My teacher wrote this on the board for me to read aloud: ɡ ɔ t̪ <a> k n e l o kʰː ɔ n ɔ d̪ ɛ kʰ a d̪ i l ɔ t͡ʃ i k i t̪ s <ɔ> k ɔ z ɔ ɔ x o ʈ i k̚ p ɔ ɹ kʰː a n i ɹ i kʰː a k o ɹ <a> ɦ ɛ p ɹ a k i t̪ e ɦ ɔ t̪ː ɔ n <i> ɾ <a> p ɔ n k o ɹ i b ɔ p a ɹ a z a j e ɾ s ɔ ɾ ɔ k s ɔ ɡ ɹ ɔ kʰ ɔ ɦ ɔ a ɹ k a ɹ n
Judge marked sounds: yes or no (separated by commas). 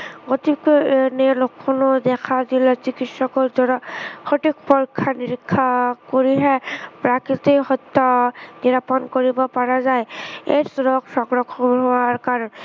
no, yes, no, yes, yes